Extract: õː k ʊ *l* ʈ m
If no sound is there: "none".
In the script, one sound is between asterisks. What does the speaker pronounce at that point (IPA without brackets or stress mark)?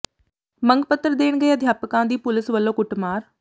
none